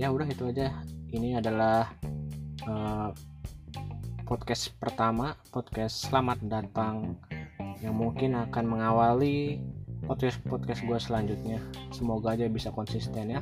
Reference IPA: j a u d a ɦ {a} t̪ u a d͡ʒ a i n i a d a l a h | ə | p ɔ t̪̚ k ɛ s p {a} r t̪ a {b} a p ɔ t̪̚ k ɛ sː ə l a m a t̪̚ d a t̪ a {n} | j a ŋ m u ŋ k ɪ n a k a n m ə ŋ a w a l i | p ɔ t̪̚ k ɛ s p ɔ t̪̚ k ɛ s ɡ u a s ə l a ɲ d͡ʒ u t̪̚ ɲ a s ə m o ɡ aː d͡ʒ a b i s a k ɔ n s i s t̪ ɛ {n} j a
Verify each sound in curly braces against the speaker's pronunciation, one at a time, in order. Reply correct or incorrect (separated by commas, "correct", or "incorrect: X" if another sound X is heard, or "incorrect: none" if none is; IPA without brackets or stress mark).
incorrect: i, incorrect: ə, incorrect: m, incorrect: ŋ, correct